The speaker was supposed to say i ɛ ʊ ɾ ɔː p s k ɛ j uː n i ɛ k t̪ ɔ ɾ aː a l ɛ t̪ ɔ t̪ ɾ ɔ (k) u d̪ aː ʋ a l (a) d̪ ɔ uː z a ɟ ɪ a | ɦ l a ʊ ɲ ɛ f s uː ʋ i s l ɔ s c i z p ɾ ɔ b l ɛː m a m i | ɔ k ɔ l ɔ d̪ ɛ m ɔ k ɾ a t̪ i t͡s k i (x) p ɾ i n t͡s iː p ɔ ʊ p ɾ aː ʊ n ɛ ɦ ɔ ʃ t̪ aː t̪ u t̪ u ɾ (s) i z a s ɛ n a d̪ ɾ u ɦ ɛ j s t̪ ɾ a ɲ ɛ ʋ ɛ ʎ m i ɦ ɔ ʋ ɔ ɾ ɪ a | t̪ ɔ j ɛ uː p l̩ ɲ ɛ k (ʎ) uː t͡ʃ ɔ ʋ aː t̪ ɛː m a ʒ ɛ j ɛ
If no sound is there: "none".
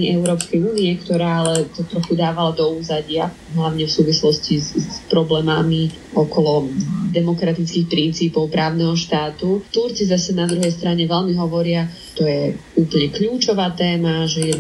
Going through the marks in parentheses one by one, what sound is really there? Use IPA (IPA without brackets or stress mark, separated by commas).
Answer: x, a, x, t͡s, ʎ